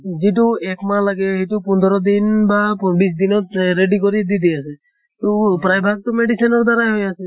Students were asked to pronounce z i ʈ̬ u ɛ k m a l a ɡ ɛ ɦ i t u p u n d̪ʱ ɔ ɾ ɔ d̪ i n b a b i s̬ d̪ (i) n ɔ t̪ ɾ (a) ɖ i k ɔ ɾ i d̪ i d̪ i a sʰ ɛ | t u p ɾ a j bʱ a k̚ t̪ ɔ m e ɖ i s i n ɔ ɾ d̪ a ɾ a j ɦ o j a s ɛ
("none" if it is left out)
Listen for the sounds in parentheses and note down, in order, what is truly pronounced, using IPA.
i, e

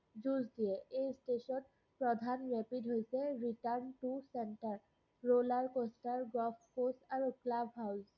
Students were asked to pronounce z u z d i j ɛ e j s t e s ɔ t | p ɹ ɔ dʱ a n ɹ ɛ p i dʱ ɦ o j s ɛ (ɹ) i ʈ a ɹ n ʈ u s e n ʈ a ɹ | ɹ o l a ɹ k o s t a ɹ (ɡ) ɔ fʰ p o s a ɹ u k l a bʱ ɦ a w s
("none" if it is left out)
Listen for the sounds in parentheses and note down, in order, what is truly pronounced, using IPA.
ɹ, ɡ

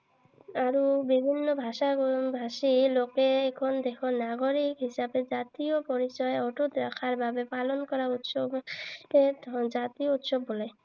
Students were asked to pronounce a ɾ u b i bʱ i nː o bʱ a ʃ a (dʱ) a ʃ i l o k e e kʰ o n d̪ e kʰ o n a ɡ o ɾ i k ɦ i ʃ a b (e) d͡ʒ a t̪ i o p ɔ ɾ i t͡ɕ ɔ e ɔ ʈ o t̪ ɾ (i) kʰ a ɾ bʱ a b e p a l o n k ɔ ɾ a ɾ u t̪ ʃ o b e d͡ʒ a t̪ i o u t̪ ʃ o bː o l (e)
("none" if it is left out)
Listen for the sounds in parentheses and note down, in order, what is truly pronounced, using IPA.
bʱ, e, a, e

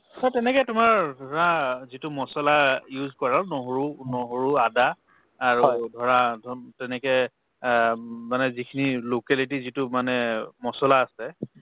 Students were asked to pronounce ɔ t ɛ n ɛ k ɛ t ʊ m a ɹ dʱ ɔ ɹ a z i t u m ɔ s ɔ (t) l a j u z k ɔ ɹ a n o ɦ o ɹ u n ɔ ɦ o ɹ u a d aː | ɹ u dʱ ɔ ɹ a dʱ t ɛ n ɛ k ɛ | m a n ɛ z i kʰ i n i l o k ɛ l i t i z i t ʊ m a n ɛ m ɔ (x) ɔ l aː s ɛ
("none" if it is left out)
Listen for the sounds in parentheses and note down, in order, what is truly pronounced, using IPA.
none, s

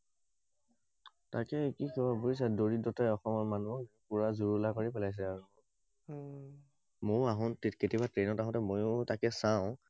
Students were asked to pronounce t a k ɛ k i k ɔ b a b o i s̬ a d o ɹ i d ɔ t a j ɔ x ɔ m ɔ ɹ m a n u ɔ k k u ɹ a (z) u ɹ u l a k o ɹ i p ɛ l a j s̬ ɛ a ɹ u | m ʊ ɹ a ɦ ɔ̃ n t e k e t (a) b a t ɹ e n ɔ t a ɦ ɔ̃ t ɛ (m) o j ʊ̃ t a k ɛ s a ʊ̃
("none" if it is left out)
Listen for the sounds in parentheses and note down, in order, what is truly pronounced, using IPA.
z, i, m

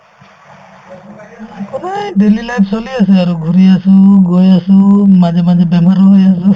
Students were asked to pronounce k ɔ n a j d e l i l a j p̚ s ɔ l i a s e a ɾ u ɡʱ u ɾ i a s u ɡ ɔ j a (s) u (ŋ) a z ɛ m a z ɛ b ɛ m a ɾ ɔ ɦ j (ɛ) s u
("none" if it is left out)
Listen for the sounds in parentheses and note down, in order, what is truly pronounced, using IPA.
s, m, a

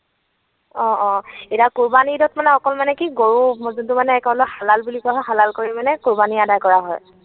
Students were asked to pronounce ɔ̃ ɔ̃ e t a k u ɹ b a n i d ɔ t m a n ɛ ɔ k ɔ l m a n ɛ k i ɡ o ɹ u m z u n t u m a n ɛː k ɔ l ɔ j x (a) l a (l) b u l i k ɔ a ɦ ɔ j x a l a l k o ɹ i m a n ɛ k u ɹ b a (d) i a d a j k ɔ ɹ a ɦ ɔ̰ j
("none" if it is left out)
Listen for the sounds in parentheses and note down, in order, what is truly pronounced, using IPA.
a, l, n

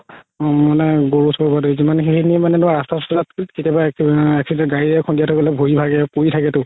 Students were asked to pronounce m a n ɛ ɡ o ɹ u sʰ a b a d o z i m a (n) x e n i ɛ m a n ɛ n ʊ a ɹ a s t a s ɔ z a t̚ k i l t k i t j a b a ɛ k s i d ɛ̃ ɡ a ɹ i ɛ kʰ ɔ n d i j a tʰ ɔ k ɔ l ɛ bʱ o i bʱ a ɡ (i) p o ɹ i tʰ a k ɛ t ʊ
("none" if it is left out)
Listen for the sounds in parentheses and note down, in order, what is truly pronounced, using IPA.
n, ɛ

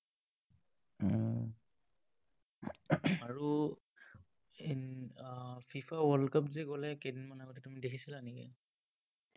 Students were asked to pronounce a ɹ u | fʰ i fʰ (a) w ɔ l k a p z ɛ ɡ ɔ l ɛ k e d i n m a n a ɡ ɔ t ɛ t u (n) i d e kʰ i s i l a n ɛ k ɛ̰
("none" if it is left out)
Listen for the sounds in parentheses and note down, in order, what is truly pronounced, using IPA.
a, m

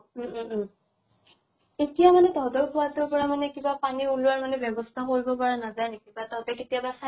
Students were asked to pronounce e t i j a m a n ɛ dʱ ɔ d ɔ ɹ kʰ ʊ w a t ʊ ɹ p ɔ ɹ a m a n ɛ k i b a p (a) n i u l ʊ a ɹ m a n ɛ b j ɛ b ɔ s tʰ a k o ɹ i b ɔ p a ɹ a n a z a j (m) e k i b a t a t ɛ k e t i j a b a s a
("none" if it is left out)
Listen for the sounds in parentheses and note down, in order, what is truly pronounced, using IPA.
a, n

